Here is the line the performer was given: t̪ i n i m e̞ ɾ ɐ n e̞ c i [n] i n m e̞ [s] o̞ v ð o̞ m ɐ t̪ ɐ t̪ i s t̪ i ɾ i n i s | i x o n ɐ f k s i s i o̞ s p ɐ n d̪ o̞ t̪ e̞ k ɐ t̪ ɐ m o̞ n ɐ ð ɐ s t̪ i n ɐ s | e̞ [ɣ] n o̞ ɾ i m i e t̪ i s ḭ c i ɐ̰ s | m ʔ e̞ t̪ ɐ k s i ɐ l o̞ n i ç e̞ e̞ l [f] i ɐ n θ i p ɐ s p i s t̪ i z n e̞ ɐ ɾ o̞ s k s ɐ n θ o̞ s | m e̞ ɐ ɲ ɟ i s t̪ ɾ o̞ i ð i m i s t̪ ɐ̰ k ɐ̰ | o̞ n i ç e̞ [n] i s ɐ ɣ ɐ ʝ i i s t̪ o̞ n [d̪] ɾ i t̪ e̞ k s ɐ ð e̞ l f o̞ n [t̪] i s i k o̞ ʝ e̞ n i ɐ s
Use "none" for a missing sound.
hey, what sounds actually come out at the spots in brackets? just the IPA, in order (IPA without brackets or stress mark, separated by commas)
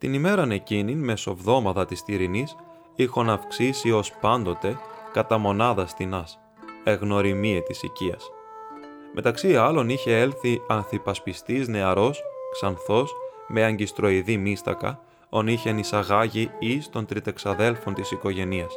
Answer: n, s, ɣ, θ, n, t̪, t̪